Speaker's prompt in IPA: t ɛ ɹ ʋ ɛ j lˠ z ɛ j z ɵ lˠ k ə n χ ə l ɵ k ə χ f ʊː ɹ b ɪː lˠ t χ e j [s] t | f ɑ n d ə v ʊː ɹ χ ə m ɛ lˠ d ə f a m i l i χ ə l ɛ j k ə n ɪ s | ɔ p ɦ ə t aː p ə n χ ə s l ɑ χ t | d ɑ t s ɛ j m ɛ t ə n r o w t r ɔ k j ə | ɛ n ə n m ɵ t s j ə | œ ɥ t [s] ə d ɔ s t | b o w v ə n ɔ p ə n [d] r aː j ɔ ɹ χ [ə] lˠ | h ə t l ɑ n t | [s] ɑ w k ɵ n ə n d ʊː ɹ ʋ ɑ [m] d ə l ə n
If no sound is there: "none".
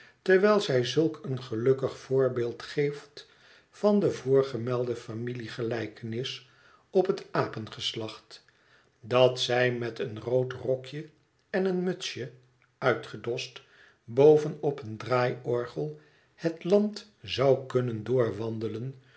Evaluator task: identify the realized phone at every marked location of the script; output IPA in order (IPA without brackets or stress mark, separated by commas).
f, χ, d, ə, z, n